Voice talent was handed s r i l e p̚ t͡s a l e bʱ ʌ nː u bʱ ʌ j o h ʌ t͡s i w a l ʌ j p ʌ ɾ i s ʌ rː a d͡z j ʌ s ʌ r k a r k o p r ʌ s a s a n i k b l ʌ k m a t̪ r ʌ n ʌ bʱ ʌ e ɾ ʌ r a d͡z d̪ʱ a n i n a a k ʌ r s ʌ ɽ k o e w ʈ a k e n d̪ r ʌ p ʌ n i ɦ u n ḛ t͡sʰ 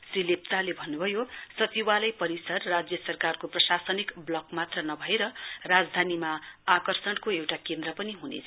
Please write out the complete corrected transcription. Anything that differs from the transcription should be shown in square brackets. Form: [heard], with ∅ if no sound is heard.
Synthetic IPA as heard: s r i l e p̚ t͡s a l e bʱ ʌ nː u bʱ ʌ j o [s] ʌ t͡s i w a l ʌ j p ʌ ɾ i s ʌ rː a d͡z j ʌ s ʌ r k a r k o p r ʌ s a s [ʌ] n i k b l ʌ k m a t̪ r ʌ n ʌ bʱ ʌ e ɾ ʌ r a d͡z d̪ʱ a n i [m] a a k ʌ r s ʌ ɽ k o e w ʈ a k e n d̪ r ʌ p ʌ n i ɦ u n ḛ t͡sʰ